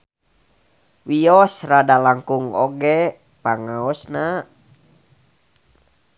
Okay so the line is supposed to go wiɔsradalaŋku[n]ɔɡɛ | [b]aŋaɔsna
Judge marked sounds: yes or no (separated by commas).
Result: no, no